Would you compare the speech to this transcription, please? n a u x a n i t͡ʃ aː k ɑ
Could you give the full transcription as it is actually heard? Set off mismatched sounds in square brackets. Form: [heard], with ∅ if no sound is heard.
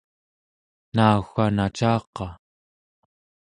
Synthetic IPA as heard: n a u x a n [a] t͡ʃ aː [q] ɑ